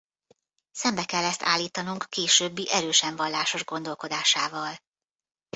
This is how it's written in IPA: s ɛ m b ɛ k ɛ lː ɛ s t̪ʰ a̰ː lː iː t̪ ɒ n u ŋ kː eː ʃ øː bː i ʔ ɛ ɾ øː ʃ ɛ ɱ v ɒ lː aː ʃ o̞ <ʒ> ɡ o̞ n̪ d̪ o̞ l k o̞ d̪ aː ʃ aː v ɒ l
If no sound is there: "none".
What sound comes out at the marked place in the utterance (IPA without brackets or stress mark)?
ʒ